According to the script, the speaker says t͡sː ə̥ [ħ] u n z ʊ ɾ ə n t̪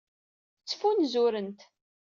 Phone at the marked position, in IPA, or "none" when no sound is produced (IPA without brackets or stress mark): f